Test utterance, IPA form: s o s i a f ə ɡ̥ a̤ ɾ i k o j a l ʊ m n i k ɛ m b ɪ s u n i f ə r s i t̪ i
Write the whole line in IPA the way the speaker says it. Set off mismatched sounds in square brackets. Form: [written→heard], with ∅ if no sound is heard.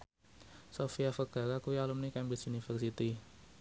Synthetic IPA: s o [s→f] i a f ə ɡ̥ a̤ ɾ [i→a] k [o→u] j a l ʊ m n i k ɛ m b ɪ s u n i f ə r s i t̪ i